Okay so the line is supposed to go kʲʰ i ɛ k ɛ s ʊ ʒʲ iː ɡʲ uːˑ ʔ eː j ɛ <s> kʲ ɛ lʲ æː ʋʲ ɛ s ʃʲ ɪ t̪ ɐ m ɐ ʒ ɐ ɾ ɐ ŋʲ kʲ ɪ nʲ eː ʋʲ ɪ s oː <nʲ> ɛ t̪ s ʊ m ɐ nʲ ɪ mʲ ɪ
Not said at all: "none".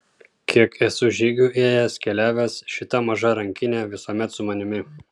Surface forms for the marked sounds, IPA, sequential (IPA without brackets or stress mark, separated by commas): s, mʲ